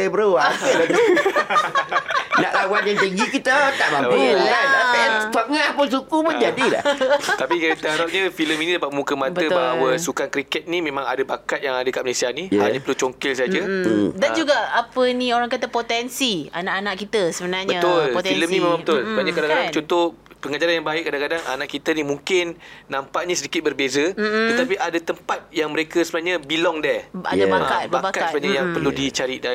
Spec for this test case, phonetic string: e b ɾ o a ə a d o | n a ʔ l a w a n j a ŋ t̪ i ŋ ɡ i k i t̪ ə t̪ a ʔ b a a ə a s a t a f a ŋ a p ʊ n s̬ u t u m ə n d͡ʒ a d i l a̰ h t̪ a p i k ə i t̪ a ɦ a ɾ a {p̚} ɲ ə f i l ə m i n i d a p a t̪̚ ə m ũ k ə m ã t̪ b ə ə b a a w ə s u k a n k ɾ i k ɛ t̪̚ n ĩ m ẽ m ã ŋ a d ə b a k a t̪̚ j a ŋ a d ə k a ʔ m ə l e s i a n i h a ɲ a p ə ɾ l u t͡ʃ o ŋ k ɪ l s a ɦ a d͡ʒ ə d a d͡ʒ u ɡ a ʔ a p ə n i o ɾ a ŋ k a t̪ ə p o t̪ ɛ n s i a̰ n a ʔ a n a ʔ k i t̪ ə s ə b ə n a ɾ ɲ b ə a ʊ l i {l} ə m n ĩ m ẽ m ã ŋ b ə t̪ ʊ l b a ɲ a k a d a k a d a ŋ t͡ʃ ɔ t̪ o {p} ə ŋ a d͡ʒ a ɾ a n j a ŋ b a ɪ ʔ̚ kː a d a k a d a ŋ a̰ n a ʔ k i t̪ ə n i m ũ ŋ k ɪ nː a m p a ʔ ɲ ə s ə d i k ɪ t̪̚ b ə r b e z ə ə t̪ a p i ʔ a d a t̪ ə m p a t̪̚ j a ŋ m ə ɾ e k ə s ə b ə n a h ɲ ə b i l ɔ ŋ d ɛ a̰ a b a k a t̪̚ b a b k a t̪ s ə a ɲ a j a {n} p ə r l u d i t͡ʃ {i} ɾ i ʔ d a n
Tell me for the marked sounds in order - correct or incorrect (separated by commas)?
correct, correct, correct, incorrect, incorrect